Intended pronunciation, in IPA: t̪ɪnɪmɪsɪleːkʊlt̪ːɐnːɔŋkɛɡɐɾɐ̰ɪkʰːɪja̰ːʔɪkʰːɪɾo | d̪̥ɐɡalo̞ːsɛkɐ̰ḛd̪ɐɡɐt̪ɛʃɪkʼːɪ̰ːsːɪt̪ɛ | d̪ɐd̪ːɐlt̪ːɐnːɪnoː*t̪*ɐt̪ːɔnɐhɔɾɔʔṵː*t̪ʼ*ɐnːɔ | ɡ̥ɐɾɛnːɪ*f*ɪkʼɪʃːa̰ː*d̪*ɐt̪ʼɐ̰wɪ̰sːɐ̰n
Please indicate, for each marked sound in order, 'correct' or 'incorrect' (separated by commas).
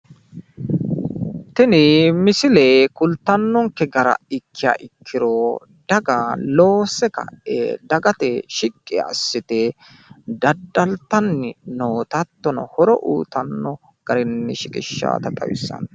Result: correct, incorrect, incorrect, incorrect